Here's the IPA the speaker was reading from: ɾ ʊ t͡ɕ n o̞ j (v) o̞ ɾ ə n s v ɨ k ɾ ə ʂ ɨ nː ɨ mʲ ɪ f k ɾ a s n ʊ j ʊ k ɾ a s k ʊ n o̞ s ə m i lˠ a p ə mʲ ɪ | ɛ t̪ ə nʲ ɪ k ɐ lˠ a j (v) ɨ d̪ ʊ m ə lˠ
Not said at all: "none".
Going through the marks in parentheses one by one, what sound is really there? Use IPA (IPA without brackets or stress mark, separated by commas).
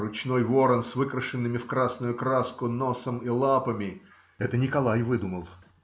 v, v